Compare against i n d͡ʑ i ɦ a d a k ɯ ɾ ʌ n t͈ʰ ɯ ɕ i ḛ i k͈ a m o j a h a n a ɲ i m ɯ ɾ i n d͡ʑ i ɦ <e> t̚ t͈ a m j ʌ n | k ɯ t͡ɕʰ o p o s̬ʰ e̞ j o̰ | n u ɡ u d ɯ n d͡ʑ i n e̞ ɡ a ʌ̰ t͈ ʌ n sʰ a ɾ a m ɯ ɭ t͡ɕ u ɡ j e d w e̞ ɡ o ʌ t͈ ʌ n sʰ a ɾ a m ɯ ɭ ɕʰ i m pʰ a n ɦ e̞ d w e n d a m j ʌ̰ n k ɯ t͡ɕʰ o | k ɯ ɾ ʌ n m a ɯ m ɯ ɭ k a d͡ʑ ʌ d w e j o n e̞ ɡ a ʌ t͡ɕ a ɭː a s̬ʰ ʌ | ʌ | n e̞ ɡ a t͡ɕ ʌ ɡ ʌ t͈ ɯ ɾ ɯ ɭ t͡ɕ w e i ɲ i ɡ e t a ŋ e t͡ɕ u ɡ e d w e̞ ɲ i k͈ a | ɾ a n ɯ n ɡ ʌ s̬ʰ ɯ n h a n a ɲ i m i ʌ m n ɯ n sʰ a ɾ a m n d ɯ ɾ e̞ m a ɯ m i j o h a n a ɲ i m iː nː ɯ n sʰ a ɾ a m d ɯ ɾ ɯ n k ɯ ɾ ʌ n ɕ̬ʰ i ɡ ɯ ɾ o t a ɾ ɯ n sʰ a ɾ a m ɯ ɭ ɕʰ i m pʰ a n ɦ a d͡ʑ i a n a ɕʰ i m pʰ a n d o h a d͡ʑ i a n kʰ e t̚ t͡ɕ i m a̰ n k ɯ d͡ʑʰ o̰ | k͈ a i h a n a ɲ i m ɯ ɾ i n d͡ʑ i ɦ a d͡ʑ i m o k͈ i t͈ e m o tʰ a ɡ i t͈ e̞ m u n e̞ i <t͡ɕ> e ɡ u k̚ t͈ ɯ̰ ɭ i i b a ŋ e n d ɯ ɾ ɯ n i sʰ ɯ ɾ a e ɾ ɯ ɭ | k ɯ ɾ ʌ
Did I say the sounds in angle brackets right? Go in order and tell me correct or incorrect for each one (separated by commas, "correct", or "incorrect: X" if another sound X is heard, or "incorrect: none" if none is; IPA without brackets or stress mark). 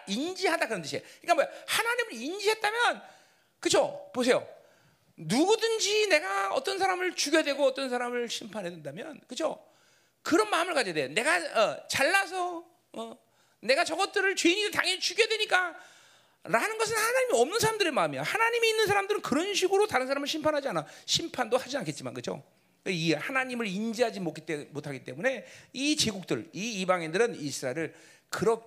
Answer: correct, correct